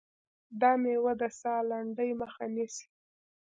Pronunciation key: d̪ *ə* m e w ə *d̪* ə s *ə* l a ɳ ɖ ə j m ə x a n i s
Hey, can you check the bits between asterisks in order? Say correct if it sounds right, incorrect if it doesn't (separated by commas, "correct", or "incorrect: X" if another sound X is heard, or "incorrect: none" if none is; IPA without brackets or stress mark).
incorrect: ɑ, correct, incorrect: ɑ